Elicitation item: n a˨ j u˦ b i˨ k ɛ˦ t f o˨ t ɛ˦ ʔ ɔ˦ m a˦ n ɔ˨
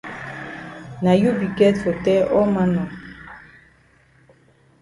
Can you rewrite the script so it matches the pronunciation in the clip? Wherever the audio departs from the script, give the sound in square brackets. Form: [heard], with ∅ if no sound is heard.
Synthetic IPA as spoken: n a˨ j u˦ b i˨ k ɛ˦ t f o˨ t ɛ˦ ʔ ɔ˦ m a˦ n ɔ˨